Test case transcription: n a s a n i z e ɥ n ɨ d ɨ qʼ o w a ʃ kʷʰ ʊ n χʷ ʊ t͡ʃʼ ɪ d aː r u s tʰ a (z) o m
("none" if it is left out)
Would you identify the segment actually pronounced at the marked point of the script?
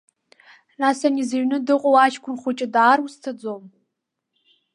d͡z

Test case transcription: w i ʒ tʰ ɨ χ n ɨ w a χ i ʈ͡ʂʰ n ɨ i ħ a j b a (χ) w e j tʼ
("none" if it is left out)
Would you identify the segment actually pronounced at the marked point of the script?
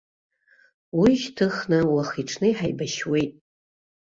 ʃ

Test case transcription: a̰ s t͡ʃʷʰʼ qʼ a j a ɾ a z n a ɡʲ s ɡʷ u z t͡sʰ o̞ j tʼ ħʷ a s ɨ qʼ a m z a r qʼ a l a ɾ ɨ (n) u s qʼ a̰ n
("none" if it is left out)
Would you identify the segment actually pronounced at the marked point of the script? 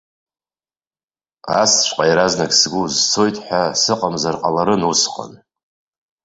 n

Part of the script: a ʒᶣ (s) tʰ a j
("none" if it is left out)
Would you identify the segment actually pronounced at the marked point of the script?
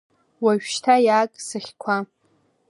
ʃ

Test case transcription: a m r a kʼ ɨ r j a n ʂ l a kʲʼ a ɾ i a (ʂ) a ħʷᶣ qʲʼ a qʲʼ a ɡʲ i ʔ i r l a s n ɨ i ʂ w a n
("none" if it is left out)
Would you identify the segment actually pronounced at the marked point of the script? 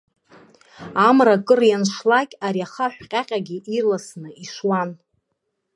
χ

